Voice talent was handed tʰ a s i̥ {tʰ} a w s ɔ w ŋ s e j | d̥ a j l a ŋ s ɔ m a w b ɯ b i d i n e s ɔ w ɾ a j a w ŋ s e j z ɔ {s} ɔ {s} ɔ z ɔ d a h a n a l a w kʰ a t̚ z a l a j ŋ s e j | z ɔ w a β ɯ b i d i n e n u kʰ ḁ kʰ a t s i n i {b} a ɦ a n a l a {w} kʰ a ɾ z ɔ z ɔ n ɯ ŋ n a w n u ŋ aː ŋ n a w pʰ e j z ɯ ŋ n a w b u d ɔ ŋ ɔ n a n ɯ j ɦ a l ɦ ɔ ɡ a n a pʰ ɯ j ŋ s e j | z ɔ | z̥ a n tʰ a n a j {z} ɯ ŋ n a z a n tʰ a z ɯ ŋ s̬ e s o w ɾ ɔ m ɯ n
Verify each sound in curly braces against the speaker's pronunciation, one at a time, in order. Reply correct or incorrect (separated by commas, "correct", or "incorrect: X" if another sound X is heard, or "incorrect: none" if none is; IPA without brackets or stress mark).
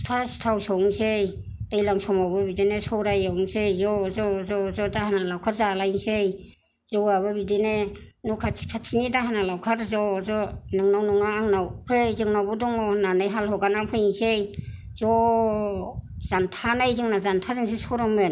correct, incorrect: z, incorrect: z, incorrect: d, correct, correct